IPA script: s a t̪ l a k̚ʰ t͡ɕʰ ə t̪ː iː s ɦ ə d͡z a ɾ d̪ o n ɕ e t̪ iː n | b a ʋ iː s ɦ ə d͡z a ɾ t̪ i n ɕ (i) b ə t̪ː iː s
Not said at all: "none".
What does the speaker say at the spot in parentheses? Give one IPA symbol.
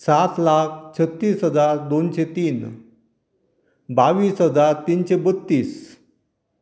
e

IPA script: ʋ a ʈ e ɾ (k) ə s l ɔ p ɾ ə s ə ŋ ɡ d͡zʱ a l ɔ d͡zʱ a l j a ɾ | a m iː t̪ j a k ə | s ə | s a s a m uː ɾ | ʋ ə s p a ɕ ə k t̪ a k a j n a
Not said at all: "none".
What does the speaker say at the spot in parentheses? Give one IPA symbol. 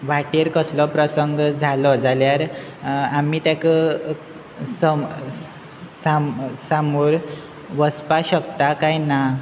k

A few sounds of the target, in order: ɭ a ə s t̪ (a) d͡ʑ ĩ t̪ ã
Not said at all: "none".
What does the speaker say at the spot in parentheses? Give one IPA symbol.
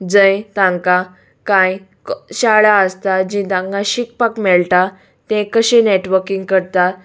a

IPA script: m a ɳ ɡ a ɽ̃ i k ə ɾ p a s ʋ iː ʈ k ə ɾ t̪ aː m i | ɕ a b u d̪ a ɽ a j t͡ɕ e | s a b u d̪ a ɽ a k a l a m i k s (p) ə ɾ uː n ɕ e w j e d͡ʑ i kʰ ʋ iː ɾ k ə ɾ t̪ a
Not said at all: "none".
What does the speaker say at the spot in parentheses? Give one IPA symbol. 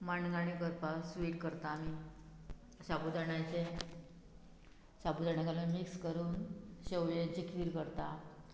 k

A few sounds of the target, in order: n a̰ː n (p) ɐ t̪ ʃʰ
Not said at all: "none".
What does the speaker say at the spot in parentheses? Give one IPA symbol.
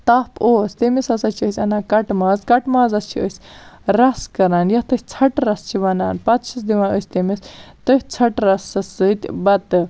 p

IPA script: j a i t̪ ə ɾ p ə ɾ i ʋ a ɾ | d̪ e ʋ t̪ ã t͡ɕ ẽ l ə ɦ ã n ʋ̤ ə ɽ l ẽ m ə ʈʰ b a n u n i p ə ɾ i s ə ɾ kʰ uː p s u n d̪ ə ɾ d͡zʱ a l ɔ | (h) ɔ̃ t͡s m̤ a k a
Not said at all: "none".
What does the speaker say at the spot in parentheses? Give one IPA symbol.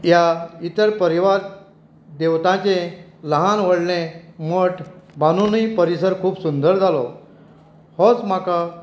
h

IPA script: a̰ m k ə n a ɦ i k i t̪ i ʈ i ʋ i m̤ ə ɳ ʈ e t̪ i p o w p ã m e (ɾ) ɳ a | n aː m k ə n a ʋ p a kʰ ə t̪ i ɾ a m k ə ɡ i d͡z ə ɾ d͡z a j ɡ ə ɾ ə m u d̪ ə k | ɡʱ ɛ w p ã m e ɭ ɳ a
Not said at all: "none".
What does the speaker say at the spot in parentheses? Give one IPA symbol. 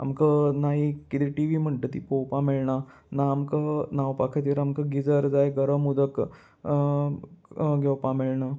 ɭ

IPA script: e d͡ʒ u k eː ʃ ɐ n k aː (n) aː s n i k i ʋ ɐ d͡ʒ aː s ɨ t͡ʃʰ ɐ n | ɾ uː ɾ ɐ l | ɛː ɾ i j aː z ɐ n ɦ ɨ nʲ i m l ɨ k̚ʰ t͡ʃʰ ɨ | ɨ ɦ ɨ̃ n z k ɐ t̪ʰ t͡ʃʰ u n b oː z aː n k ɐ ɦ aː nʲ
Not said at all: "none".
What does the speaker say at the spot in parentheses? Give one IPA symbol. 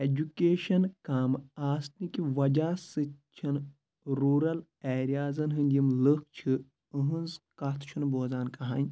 m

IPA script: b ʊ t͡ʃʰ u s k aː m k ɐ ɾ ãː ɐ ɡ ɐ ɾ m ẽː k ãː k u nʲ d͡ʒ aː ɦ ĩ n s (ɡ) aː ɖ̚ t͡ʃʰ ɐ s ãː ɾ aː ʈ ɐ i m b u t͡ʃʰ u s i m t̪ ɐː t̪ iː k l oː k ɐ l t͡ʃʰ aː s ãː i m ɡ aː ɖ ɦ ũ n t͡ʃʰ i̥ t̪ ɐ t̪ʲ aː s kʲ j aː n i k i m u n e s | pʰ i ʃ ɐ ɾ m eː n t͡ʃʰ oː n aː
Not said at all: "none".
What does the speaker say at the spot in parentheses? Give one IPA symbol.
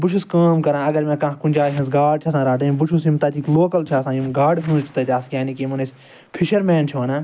ɡ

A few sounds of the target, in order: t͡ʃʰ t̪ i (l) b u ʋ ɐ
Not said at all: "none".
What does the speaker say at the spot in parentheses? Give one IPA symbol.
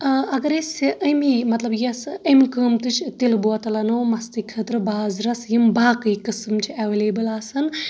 l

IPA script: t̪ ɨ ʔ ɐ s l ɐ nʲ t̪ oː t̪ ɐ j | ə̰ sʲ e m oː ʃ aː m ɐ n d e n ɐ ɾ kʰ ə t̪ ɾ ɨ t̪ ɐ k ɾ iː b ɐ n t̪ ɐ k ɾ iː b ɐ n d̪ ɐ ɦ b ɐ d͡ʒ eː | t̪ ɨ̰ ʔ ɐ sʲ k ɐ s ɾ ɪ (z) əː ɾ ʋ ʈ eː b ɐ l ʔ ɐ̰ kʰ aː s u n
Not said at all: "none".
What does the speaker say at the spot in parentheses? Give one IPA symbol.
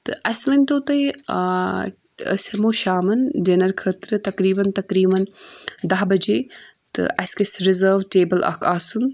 z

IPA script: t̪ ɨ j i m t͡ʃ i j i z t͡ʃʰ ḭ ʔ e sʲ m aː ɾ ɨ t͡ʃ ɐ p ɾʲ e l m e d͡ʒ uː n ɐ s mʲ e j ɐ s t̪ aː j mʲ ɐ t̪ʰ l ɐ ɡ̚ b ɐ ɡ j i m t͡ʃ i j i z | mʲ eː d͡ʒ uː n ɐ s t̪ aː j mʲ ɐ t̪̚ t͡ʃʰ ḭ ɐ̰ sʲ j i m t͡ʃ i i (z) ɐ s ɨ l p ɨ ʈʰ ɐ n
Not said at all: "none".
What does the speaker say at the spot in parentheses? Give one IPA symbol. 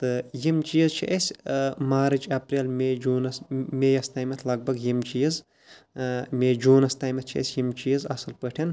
z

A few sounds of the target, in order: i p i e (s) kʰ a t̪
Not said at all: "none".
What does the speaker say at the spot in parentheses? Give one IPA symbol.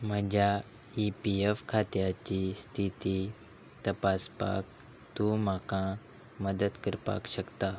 f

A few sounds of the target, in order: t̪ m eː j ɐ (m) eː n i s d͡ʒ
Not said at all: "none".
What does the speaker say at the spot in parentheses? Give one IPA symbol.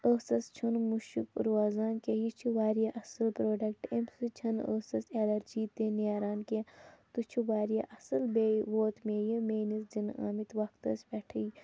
m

